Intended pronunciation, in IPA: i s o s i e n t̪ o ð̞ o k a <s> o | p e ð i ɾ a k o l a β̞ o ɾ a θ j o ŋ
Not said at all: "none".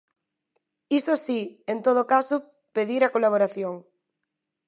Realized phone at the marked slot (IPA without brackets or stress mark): s